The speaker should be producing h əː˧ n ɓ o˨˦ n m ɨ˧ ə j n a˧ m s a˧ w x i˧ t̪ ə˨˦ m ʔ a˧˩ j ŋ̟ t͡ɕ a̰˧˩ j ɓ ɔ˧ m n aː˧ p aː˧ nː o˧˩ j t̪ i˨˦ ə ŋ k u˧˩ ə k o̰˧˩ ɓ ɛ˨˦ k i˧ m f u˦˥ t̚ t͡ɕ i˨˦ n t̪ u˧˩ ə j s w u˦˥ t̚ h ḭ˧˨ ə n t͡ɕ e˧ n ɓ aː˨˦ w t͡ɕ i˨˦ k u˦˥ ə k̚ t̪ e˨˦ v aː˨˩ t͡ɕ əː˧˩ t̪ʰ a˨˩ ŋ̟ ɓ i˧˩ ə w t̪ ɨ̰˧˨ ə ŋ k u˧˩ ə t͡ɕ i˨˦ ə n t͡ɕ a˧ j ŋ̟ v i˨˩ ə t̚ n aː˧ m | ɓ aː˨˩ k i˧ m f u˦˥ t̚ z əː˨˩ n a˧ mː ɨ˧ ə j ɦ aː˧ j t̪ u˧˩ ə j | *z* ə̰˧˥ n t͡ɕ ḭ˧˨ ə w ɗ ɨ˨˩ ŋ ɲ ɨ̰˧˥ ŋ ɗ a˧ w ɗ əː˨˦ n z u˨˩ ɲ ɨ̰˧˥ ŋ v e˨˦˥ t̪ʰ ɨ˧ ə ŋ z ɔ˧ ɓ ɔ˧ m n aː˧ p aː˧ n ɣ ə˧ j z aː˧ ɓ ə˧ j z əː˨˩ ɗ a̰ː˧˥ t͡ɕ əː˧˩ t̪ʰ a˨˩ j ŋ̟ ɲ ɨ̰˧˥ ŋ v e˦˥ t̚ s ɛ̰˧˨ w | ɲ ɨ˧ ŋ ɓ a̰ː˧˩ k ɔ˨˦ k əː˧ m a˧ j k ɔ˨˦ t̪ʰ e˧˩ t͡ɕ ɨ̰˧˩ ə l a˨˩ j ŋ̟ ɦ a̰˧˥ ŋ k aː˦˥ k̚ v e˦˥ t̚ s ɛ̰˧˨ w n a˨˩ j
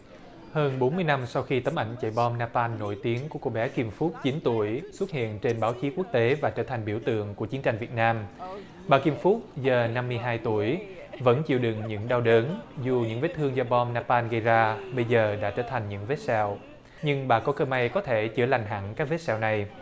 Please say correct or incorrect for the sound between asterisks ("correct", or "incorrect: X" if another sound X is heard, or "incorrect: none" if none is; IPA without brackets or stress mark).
incorrect: v